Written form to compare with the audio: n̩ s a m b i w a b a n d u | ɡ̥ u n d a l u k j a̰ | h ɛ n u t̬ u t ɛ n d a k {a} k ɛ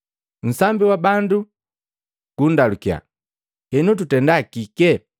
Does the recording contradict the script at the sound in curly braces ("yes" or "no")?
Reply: yes